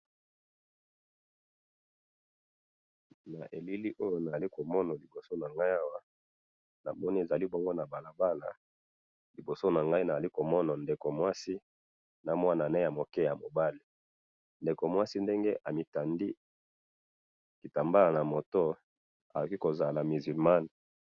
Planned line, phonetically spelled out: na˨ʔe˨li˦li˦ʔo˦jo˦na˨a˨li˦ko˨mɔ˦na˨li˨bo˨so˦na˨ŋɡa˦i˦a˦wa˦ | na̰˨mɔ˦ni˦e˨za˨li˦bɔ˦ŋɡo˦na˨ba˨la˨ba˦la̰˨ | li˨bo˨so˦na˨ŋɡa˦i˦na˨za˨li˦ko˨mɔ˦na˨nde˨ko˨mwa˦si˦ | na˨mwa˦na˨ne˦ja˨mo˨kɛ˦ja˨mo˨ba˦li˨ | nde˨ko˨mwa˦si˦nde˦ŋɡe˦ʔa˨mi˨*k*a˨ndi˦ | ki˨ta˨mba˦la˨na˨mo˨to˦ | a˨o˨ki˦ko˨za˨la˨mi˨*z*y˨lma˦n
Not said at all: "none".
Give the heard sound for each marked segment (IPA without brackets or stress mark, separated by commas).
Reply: t, z